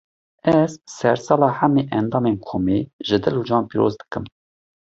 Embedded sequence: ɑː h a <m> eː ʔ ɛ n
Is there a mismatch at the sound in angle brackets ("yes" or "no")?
no